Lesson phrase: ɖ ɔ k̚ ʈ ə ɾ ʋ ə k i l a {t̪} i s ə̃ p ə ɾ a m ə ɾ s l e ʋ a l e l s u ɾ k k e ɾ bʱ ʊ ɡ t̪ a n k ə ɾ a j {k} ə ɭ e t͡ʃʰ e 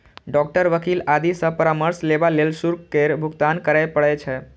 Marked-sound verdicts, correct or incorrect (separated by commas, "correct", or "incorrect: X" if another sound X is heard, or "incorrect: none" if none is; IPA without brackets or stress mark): incorrect: d̪, incorrect: p